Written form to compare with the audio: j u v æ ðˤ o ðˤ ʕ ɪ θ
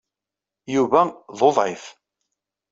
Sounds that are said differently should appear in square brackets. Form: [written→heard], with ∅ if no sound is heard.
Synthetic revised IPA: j u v æ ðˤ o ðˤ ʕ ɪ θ